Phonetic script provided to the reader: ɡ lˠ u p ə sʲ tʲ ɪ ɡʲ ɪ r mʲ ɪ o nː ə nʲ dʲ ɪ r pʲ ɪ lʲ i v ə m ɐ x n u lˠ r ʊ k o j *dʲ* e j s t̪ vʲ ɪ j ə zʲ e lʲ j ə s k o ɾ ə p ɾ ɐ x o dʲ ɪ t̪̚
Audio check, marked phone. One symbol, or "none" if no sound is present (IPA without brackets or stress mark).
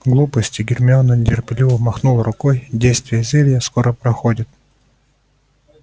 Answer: dʲ